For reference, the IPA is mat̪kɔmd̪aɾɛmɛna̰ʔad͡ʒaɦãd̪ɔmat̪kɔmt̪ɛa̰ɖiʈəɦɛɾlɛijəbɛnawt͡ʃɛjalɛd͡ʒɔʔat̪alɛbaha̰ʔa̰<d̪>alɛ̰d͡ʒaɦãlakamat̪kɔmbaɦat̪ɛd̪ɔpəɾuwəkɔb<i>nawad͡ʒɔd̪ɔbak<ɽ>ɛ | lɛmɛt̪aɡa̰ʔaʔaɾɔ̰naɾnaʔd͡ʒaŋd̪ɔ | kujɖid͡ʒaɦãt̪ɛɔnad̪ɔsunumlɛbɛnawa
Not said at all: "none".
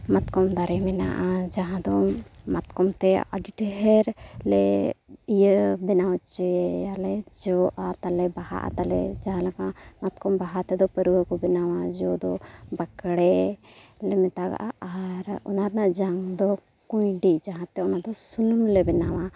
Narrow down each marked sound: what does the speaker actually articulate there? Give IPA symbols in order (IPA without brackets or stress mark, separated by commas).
t̪, ɛ, ɽ